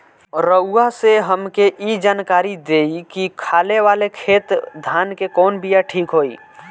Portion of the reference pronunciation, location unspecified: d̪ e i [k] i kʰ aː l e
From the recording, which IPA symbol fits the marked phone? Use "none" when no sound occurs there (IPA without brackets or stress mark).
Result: k